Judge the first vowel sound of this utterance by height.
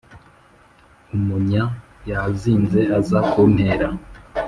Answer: high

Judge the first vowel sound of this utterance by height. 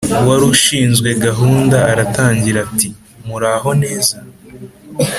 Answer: low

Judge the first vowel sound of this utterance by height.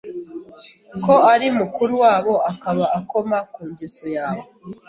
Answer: mid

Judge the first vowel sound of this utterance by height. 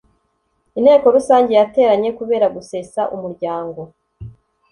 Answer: high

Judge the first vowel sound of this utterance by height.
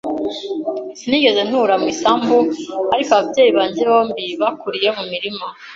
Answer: high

